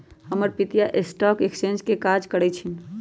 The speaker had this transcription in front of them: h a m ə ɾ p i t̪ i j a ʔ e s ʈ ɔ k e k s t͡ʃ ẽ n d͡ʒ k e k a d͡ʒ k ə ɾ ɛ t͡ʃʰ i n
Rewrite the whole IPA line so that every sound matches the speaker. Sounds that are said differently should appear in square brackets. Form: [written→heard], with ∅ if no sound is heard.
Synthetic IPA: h [a→ə] m ə ɾ p i t̪ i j a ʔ e s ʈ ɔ k e k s t͡ʃ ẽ n d͡ʒ k e k a d͡ʒ k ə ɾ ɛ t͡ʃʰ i n